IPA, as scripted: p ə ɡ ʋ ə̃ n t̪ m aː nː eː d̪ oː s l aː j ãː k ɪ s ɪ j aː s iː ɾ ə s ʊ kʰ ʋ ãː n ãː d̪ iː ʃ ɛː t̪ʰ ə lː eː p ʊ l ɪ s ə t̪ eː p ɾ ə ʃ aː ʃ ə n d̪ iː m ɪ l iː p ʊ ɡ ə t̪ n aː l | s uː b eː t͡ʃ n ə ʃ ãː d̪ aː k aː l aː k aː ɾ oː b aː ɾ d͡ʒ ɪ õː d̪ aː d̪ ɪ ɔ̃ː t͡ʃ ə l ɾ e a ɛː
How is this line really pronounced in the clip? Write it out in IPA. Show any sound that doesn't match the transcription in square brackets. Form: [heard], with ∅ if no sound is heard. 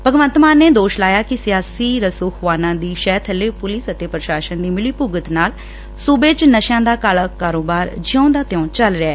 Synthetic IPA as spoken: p ə ɡ ʋ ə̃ n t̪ m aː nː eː d̪ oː [ʃ] l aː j [aː] k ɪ s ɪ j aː s iː ɾ ə s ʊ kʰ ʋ [aː] n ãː d̪ iː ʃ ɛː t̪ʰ ə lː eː p ʊ l ɪ s ə t̪ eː p ɾ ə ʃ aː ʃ ə n d̪ iː m ɪ l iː p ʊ ɡ ə t̪ n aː l | s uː b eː t͡ʃ n ə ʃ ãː d̪ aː k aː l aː k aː ɾ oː b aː ɾ d͡ʒ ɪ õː d̪ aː [t̪] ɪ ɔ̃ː t͡ʃ ə l ɾ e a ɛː